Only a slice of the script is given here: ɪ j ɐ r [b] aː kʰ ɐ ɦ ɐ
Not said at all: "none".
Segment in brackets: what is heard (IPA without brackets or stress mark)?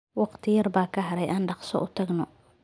b